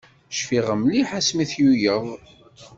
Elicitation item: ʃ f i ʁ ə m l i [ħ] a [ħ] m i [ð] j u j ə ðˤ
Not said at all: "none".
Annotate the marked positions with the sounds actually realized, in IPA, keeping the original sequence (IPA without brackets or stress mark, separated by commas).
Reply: ħ, s, θ